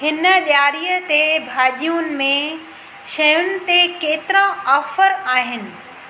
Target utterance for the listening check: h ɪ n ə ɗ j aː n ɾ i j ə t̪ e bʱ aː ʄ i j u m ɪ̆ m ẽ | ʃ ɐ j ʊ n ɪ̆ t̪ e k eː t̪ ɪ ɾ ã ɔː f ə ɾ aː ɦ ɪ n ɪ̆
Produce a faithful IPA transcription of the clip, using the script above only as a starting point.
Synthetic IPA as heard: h ɪ n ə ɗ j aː ɾ i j ə t̪ e bʱ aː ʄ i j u n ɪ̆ m ẽ | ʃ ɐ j ʊ n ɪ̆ t̪ e k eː t̪ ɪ ɾ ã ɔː f ə ɾ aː ɦ ɪ n ɪ̆